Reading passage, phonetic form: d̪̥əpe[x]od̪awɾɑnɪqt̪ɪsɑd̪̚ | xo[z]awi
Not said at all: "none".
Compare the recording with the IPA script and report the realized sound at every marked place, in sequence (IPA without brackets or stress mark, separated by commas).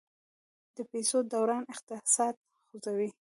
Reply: s, z